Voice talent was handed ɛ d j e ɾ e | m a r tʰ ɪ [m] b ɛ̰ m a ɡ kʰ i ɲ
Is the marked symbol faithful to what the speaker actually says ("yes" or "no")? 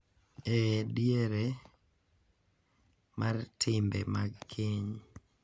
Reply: yes